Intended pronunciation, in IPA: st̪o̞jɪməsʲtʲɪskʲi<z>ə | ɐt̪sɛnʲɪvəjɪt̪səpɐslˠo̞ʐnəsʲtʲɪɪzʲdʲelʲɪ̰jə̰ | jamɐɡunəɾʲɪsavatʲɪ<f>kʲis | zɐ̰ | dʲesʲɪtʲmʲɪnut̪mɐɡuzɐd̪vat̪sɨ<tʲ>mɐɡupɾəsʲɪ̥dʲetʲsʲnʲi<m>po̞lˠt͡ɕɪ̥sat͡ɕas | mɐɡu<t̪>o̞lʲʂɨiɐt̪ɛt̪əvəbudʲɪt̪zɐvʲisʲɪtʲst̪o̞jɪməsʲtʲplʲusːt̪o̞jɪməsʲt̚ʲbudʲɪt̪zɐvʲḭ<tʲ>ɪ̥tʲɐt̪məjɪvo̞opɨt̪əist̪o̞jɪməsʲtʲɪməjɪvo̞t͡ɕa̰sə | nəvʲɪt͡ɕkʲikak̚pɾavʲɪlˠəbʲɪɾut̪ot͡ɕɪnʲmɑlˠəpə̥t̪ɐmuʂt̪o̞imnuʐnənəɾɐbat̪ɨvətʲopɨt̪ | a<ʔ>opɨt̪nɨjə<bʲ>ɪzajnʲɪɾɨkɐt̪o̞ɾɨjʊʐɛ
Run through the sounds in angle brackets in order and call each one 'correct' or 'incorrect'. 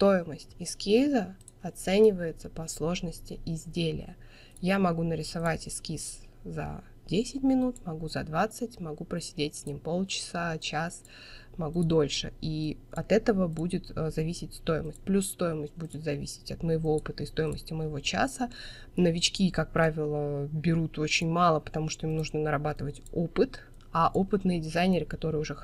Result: correct, incorrect, correct, correct, incorrect, incorrect, correct, incorrect

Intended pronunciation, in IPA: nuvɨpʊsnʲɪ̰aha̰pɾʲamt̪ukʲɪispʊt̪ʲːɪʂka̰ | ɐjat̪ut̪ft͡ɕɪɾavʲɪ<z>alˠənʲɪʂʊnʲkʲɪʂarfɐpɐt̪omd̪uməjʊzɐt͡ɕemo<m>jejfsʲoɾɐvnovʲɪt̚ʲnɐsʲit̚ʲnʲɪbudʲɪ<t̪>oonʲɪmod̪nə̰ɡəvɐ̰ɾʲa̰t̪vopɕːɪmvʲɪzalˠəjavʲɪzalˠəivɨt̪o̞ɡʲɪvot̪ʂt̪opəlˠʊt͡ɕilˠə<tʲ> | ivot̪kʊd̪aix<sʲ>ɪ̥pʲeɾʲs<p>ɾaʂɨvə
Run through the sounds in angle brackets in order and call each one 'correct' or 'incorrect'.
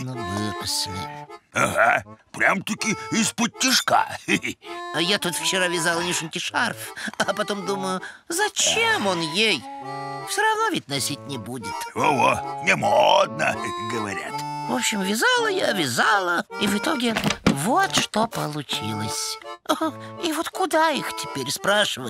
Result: correct, incorrect, correct, incorrect, incorrect, correct

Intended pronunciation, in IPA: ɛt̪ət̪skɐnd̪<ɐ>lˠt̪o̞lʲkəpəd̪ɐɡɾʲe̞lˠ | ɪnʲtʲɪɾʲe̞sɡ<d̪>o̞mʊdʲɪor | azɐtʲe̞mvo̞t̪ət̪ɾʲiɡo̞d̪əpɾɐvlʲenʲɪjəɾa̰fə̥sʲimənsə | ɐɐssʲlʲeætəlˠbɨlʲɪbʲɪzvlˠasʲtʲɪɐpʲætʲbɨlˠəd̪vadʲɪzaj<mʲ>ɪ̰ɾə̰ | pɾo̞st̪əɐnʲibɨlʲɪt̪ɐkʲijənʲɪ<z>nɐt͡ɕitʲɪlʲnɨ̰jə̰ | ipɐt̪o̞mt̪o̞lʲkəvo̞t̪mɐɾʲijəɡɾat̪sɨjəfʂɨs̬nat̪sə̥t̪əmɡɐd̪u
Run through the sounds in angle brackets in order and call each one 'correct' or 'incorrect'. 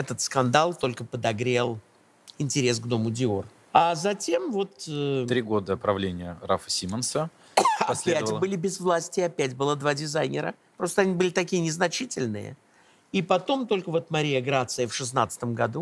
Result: incorrect, correct, incorrect, correct

